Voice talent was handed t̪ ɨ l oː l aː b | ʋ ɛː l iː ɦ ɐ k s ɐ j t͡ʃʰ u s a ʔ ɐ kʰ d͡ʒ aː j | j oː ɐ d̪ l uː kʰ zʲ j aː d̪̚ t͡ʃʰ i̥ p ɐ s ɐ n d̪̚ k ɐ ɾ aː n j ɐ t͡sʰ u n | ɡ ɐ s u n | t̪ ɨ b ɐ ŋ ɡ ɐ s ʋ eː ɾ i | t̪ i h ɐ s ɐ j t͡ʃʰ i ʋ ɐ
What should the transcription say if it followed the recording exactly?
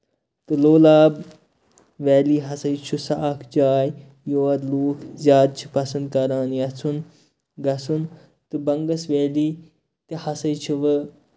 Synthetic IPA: t̪ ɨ l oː l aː b | ʋ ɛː l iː ɦ ɐ s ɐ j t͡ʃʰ u s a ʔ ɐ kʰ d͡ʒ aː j | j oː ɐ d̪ l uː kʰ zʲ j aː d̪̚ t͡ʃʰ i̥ p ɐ s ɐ n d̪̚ k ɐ ɾ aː n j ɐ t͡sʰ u n | ɡ ɐ s u n | t̪ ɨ b ɐ ŋ ɡ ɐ s ʋ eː l i | t̪ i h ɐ s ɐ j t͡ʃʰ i ʋ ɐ

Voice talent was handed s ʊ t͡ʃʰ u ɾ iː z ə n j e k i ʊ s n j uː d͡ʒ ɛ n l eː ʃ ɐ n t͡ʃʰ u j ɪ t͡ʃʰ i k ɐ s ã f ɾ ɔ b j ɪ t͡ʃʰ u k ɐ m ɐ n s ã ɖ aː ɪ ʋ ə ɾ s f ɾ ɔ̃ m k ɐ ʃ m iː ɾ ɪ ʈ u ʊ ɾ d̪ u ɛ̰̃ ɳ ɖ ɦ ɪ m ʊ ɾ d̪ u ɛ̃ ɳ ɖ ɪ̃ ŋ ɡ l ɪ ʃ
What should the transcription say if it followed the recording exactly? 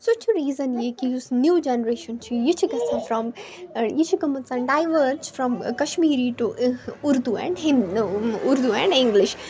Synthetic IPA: s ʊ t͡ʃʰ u ɾ iː z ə n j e k i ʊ s n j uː d͡ʒ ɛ n ɾ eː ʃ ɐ n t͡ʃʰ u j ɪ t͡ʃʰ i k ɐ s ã f ɾ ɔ m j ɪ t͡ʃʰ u k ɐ m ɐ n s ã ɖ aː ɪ ʋ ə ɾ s f ɾ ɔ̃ m k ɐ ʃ m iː ɾ i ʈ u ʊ ɾ d̪ u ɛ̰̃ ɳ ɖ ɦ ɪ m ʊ ɾ d̪ u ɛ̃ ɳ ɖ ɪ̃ ŋ ɡ l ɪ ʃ

